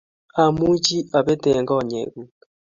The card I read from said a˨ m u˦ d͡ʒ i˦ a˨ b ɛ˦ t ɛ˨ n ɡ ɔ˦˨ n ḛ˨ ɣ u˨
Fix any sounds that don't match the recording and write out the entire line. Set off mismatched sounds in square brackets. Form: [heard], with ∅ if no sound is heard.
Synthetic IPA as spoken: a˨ m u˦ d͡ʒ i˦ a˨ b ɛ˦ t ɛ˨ [ŋ] ɡ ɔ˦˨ [ɲ] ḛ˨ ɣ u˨